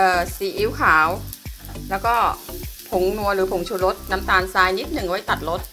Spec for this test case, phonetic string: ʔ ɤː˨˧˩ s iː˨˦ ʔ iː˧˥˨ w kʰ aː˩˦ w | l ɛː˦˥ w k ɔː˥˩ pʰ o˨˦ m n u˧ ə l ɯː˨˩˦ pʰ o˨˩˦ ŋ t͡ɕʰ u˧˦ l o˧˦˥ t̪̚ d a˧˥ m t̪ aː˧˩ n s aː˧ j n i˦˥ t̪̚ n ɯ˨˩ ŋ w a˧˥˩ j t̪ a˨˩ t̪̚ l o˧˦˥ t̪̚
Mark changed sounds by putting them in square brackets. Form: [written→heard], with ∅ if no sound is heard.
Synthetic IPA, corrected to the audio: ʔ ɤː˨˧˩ s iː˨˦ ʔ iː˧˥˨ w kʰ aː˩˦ w | l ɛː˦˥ w k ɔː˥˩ pʰ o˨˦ [m→ŋ] n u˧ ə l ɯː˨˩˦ pʰ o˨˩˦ ŋ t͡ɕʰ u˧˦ l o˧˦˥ t̪̚ [d→n] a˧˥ m t̪ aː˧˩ n s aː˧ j n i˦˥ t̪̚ n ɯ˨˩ ŋ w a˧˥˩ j t̪ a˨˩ t̪̚ l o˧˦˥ t̪̚